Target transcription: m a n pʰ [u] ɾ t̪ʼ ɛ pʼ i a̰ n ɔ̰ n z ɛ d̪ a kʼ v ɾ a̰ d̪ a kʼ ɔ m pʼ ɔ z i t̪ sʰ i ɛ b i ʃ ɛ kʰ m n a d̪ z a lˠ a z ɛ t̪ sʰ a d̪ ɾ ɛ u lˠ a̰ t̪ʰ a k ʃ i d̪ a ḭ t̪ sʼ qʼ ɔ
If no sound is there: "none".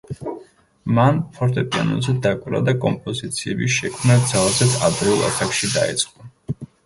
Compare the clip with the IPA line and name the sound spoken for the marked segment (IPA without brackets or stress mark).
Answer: ɔ